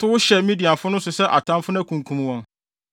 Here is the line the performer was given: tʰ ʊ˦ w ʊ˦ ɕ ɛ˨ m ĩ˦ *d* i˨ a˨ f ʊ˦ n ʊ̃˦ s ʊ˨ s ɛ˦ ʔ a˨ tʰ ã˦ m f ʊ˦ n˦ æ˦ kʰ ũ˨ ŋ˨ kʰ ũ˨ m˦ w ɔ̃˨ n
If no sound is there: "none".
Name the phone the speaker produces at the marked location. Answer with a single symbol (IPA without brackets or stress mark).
d